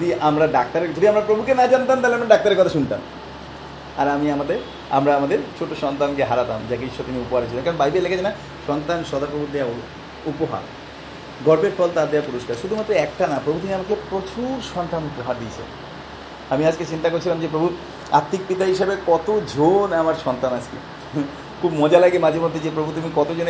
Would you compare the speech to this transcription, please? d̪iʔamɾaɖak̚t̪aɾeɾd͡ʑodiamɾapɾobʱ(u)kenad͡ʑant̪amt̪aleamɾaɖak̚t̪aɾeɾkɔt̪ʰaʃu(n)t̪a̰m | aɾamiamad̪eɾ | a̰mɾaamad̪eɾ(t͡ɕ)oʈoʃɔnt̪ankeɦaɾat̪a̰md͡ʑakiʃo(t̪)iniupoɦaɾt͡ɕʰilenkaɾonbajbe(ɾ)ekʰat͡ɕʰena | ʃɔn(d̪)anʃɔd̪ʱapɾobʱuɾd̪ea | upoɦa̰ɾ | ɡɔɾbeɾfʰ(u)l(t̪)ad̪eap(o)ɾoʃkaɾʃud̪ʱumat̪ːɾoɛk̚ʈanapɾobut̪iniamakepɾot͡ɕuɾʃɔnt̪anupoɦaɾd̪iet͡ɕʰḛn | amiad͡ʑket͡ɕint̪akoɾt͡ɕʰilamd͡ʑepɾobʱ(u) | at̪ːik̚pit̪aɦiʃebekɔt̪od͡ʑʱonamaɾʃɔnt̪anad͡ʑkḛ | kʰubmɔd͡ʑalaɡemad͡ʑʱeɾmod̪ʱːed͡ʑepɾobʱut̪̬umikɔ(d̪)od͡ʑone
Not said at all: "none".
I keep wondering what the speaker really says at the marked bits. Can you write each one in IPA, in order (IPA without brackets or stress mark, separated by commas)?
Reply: u, n, t͡ɕʰ, t̪, l, t̪, ɔ, t̪, u, u, t̪